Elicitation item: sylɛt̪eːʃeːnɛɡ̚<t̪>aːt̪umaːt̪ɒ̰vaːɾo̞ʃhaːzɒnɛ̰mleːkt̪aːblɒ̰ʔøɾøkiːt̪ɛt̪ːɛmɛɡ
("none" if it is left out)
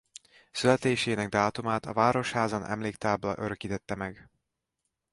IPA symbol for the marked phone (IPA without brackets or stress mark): d̪